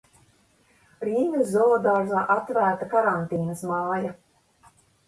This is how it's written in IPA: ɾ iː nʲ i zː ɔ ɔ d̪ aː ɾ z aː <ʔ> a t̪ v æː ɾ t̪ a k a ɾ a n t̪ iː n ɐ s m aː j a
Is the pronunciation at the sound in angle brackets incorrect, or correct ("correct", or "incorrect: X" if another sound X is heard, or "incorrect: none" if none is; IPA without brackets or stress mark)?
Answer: correct